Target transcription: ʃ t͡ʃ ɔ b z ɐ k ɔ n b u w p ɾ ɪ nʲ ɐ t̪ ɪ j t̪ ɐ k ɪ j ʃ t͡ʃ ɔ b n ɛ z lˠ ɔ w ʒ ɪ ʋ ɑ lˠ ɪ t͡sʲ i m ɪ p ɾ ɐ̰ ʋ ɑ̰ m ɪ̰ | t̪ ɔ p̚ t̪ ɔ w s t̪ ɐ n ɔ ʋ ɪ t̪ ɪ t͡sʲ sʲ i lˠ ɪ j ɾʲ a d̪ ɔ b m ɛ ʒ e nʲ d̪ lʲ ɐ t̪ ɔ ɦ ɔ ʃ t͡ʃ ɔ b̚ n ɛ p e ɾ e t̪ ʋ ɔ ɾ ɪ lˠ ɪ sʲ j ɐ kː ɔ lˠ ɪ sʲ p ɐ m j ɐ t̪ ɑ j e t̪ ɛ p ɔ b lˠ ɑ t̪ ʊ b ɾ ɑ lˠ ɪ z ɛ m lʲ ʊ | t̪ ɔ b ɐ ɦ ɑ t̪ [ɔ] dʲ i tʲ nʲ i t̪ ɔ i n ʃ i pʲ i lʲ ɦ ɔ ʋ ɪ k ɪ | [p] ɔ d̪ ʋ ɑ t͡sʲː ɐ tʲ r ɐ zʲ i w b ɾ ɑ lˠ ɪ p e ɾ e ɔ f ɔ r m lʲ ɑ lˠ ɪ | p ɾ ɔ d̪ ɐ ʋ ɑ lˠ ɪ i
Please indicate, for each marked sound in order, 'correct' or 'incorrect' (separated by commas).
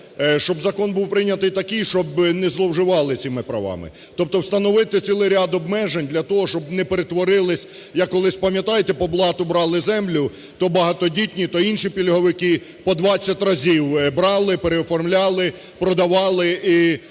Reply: correct, correct